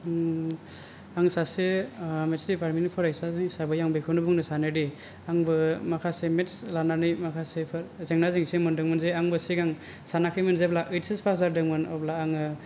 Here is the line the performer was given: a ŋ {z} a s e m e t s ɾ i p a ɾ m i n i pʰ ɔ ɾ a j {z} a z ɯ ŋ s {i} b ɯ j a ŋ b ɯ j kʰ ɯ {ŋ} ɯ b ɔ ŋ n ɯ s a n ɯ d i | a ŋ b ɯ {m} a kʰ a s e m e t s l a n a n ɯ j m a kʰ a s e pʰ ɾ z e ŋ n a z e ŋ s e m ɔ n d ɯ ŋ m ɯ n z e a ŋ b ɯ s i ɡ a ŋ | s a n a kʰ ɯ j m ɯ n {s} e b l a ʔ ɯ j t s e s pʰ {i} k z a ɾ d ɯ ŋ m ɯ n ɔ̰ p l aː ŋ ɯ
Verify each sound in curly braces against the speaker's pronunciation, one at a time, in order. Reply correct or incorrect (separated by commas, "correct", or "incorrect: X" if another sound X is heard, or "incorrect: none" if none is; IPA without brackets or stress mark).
incorrect: s, incorrect: s, incorrect: a, incorrect: n, correct, incorrect: z, incorrect: a